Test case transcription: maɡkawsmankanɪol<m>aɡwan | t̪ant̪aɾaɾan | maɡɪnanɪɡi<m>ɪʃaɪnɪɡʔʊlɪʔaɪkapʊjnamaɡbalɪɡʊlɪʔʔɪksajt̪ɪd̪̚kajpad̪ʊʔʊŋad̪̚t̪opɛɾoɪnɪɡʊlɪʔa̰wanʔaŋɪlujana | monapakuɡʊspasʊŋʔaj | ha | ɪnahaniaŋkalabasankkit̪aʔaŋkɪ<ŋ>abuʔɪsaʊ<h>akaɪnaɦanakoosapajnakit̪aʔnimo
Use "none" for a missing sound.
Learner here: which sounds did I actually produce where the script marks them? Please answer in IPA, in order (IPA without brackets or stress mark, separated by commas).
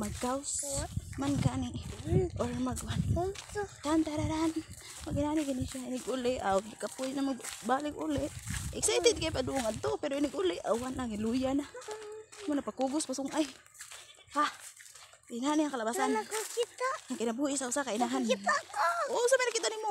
m, n, n, s